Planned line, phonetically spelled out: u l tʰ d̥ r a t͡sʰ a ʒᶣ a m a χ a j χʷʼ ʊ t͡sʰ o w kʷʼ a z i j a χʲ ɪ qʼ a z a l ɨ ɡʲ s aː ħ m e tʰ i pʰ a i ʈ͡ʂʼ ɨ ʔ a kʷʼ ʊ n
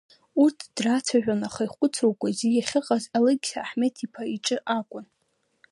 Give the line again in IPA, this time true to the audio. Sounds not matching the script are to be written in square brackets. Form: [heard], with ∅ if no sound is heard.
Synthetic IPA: u [r] tʰ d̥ r a t͡sʰ a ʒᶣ a [n] a χ a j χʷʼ ʊ t͡sʰ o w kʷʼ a z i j a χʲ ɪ qʼ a z a l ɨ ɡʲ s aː ħ m e tʰ i pʰ a i ʈ͡ʂʼ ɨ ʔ a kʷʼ ʊ n